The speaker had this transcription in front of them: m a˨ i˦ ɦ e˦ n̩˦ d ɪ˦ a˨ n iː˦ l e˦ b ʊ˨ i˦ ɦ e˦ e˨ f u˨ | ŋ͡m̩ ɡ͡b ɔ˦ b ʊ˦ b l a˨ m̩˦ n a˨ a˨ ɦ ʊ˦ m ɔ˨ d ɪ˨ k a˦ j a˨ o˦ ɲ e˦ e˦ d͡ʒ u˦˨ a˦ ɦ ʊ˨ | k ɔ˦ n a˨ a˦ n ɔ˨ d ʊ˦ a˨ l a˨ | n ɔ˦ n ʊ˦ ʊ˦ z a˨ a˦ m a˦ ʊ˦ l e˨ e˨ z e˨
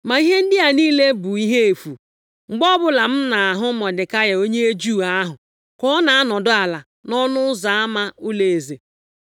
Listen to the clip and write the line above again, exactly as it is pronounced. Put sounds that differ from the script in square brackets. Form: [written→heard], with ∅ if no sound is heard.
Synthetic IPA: m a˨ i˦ ɦ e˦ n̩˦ d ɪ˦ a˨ n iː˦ l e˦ b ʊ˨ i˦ ɦ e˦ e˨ f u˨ | ŋ͡m̩ ɡ͡b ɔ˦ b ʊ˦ [b→∅] l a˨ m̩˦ n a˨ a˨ ɦ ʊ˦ m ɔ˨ d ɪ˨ k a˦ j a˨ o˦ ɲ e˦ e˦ d͡ʒ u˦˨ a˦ ɦ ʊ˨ | k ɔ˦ n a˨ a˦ n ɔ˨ d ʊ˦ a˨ l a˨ | n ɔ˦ n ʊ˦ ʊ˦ z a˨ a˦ m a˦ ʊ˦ l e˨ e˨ z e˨